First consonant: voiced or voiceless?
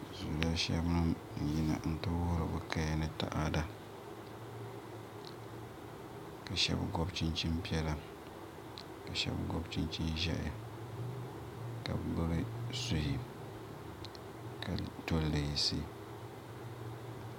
voiced